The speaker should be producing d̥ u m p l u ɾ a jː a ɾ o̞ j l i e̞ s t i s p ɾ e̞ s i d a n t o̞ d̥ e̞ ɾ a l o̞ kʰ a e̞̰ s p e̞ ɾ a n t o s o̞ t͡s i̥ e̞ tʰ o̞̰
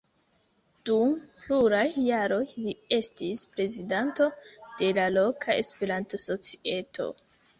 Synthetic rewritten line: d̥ u m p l u ɾ a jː a ɾ o̞ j l i e̞ s t i s p ɾ e̞ z i d a n t o̞ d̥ e̞ l a l o̞ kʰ a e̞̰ s p e̞ ɾ a n t o s o̞ t͡s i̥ e̞ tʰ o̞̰